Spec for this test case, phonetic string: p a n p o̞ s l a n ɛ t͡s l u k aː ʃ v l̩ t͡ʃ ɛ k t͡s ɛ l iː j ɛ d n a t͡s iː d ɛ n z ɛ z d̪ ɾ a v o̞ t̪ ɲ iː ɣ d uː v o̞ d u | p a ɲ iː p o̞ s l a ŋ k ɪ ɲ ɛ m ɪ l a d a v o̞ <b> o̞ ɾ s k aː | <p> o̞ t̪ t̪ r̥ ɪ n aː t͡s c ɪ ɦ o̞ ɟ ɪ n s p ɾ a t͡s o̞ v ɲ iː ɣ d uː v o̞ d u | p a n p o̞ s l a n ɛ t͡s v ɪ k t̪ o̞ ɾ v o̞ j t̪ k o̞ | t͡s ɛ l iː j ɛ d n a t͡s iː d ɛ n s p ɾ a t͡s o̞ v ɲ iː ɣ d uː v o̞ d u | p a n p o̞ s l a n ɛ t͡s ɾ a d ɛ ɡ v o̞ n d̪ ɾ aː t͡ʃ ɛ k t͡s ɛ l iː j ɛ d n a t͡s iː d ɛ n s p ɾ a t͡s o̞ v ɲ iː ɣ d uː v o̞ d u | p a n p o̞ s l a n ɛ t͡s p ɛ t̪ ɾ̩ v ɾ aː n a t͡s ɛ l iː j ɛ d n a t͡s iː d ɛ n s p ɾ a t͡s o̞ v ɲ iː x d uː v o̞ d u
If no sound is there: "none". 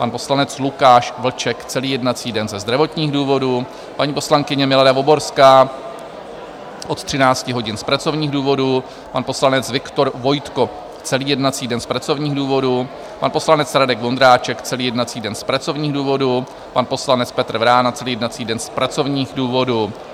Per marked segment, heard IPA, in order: b, ʔ

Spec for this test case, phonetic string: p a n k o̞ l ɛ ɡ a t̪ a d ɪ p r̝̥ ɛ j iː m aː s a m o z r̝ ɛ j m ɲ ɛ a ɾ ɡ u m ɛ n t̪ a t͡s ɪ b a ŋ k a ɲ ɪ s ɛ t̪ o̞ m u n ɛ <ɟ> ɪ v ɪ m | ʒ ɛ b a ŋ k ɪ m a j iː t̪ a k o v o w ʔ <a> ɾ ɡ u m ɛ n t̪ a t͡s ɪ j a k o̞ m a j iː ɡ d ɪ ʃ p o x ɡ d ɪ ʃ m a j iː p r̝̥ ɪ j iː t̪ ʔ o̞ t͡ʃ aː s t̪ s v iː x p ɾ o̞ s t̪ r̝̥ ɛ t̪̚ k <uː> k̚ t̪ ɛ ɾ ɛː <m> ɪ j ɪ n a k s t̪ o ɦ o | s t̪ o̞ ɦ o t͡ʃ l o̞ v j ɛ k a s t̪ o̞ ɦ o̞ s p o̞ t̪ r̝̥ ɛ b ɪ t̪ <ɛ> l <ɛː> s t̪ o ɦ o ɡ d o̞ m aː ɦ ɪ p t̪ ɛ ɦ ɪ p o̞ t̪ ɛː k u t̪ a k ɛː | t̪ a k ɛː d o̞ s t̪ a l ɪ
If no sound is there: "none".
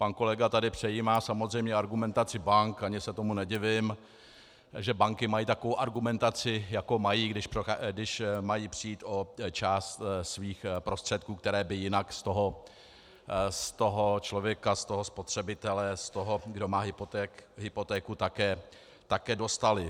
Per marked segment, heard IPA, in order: ɟ, a, uː, b, ɛ, ɛ

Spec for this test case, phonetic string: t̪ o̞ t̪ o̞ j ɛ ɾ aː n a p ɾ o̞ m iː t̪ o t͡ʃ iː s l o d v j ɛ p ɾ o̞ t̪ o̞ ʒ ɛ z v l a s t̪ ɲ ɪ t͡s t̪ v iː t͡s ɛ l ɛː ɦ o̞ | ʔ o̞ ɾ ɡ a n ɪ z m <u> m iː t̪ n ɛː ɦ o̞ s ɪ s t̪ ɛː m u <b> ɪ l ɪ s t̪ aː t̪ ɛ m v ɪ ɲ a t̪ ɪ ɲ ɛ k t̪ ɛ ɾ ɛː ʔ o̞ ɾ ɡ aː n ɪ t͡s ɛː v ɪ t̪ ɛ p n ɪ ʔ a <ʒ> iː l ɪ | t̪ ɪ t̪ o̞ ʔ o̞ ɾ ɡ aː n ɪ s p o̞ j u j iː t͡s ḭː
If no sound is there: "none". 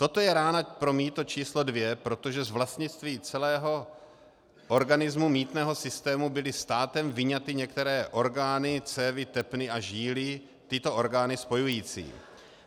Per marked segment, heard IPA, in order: u, b, ʒ

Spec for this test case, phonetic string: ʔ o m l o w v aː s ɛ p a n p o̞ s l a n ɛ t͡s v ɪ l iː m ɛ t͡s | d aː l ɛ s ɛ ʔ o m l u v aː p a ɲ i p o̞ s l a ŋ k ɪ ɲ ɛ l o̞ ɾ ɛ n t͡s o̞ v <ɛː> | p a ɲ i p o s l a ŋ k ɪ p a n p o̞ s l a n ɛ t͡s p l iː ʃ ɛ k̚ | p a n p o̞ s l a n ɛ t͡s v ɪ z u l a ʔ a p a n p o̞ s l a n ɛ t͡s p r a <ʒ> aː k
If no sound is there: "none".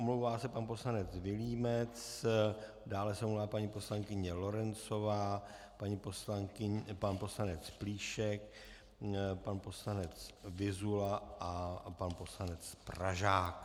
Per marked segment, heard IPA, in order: aː, ʒ

